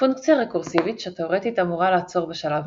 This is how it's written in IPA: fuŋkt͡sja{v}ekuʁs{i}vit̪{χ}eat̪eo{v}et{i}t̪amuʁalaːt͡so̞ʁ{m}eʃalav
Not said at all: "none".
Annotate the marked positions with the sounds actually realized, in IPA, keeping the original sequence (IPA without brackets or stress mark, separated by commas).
ʁ, i, ʃ, ʁ, i, b